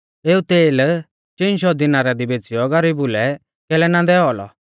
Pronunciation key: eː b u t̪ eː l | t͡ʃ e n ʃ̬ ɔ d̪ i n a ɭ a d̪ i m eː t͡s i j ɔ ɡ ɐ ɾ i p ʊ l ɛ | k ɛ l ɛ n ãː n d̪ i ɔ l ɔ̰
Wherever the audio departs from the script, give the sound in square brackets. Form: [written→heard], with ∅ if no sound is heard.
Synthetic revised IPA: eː [b→∅] u t̪ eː l | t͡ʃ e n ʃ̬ ɔ d̪ i n a [ɭ→ɾ] a d̪ i [m→b] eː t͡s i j ɔ ɡ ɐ ɾ i [p→b] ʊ l ɛ | k ɛ l ɛ n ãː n d̪ [i→ɛ] ɔ l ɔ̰